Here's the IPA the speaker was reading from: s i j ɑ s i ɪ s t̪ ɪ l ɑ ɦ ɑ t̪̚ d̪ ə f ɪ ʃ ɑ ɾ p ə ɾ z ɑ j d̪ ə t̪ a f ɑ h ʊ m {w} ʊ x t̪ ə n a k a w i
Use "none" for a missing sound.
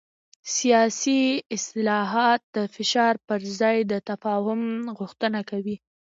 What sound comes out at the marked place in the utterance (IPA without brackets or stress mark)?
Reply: ɣ